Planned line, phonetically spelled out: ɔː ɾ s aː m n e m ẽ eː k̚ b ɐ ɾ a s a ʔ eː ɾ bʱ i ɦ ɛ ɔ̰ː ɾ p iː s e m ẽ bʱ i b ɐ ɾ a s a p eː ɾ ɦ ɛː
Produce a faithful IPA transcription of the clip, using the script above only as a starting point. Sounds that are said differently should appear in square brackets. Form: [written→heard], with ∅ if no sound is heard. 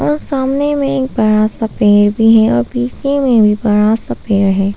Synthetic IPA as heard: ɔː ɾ s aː m n e m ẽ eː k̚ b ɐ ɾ a s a [ʔ→p] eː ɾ bʱ i ɦ ɛ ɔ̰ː ɾ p iː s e m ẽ bʱ i b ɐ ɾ a s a p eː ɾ ɦ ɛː